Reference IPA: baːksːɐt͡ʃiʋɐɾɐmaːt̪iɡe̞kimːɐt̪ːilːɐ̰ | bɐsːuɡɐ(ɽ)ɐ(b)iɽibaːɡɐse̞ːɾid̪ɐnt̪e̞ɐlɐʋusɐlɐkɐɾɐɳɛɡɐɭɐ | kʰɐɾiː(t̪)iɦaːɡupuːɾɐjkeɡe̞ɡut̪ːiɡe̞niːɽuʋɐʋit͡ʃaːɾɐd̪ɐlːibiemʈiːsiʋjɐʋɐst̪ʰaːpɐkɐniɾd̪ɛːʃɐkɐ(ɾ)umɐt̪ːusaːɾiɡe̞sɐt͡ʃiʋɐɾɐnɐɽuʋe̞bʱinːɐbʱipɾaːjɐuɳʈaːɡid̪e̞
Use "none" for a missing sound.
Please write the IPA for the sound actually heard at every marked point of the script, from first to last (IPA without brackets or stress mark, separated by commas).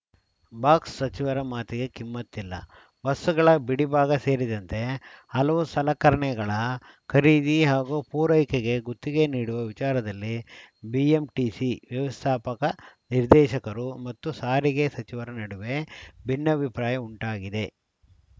ɭ, b, d̪, ɾ